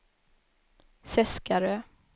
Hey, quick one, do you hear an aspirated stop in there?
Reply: no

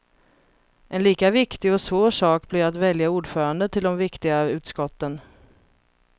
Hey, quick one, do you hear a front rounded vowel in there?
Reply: yes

